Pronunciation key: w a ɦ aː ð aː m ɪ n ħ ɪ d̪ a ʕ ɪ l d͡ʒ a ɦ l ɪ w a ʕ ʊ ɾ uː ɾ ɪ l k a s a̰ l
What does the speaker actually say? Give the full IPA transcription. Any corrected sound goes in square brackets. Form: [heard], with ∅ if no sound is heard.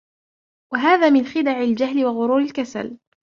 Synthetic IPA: w a ɦ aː ð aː m ɪ n [x] ɪ d̪ a ʕ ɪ l d͡ʒ a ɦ l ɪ w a [ɣ] ʊ ɾ uː ɾ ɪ l k a s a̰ l

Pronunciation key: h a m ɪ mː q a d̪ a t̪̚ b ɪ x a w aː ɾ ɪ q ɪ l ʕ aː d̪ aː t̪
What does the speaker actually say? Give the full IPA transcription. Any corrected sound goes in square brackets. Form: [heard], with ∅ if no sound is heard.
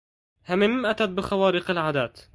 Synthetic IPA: h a m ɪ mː [ʔ] a [t̪] a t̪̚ b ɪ x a w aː ɾ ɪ q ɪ l ʕ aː d̪ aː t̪

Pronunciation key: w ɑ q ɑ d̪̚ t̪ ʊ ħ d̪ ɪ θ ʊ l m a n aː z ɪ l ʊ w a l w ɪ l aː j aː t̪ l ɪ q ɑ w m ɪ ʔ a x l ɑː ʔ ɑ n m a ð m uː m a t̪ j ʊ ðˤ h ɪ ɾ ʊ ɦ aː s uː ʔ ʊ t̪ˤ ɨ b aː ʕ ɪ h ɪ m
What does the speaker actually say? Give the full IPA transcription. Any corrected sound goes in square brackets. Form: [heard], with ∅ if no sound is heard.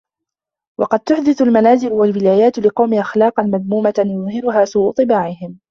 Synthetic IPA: w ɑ q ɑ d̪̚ t̪ ʊ ħ d̪ ɪ θ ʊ l m a n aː z ɪ l ʊ w a l w ɪ l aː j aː t̪ l ɪ q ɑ w m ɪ ʔ a x l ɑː [q] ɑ n m a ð m uː m a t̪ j ʊ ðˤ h ɪ ɾ ʊ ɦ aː s uː ʔ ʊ t̪ˤ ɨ b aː ʕ ɪ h ɪ m

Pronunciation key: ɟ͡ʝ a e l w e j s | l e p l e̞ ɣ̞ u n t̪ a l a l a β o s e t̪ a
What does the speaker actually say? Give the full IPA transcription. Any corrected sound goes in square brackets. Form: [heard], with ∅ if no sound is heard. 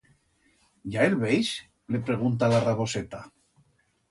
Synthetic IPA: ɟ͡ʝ a e l [β] e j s | l e p [ɾ] e̞ ɣ̞ u n t̪ a l a [r] a β o s e t̪ a

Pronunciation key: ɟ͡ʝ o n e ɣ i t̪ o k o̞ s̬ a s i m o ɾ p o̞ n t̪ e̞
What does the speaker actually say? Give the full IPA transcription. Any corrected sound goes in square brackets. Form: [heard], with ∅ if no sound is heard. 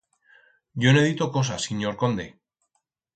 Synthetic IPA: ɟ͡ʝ o n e [ð] i t̪ o k o̞ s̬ a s i [ɲ] o ɾ [k] o̞ n [d̪] e̞

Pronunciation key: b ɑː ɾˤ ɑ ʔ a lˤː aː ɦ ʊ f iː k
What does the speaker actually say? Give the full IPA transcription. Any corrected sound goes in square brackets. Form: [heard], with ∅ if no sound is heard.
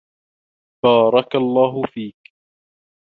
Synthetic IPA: b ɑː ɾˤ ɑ [k] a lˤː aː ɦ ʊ f iː k

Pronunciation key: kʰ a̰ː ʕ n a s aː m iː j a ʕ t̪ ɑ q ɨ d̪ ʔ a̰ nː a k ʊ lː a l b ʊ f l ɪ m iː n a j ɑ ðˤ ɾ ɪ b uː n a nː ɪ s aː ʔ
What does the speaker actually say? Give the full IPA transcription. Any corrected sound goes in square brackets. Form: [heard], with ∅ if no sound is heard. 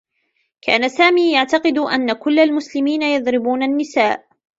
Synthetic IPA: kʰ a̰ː [∅] n a s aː m iː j a ʕ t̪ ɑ q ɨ d̪ ʔ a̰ nː a k ʊ lː a l [m] ʊ [s] l ɪ m iː n a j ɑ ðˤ ɾ ɪ b uː n a nː ɪ s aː ʔ

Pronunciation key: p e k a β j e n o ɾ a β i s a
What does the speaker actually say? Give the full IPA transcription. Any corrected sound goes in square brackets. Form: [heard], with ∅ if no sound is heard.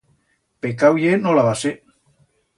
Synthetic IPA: p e k a [w] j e n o [l] a β [a] s [e]

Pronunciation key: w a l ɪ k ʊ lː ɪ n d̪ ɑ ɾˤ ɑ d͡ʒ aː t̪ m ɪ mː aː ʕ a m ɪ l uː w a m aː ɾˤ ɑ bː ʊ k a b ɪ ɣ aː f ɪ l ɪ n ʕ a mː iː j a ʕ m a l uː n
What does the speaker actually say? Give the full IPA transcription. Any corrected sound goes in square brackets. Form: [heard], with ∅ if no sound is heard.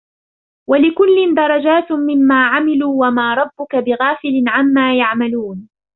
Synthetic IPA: w a l ɪ k ʊ lː ɪ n d̪ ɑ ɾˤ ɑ d͡ʒ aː t̪ m ɪ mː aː ʕ a m ɪ l uː w a m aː ɾˤ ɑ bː ʊ k a b ɪ ɣ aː f ɪ l ɪ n ʕ a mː [aː] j a ʕ m a l uː n

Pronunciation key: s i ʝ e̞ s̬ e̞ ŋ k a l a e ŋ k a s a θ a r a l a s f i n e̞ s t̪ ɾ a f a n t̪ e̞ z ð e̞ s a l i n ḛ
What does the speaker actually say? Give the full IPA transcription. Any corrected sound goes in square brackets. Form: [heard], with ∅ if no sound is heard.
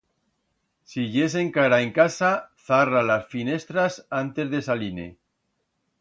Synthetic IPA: s i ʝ e̞ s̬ e̞ ŋ k a [ɾ] a e ŋ k a s a θ a r a l a s f i n e̞ s t̪ ɾ a [s] a n t̪ e̞ z ð e̞ s a l i n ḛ

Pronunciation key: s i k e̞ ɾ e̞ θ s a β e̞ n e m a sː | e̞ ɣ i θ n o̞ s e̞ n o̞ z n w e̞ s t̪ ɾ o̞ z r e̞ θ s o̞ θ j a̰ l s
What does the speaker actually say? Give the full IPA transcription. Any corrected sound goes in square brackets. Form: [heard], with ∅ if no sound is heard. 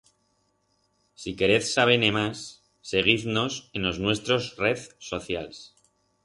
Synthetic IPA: s i k e̞ ɾ e̞ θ s a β e̞ n e m a sː | e̞ ɣ i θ n o̞ s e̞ n o̞ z n w e̞ s t̪ ɾ o̞ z r e̞ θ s o̞ θ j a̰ l s

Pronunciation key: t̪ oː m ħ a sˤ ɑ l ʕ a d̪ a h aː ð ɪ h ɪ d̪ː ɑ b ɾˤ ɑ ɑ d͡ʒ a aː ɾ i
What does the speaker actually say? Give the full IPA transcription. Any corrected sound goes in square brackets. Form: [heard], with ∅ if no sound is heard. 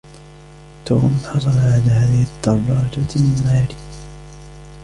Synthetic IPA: t̪ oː m ħ [ɑ] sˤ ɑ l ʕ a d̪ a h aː ð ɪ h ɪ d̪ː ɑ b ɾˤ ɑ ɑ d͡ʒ a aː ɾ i

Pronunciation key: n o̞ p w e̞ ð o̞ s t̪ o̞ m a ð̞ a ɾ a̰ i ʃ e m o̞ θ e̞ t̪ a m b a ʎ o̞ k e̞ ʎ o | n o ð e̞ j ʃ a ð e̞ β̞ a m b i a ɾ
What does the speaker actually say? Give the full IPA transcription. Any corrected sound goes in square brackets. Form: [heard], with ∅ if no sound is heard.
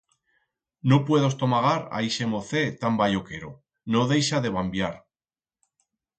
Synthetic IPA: n o̞ p w e̞ ð o̞ s t̪ o̞ m a [ɣ̞] a ɾ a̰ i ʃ e m o̞ θ e̞ t̪ a m b a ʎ o̞ k e̞ [ɾ] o | n o ð e̞ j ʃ a ð e̞ β̞ a m b [j] a ɾ

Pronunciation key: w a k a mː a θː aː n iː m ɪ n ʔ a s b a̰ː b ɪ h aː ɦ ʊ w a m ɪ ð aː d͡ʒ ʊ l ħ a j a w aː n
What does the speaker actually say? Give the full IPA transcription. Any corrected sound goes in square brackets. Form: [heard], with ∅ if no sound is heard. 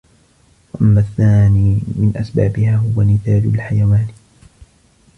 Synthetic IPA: w a [ʔ] a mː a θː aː n iː m ɪ n ʔ a s b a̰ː b ɪ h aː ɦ ʊ w a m ɪ [θ] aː d͡ʒ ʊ l ħ a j a w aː n

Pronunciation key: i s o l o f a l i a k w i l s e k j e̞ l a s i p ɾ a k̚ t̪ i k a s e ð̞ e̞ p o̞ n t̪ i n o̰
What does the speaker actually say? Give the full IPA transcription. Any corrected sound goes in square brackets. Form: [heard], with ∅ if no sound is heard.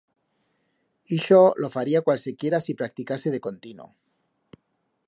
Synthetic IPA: i [ʃ] o l o f a [ɾ] i a k w [a] l s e k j e̞ [ɾ] a s i p ɾ a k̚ t̪ i k a s e ð̞ e̞ [k] o̞ n t̪ i n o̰

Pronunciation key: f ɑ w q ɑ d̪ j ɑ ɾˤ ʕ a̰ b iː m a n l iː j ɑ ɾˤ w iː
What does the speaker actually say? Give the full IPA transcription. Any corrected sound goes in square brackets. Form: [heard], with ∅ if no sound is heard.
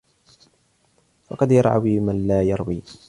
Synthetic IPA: f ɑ [∅] q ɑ d̪ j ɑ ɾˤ ʕ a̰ [w] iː m a n l [aː] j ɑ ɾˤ w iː

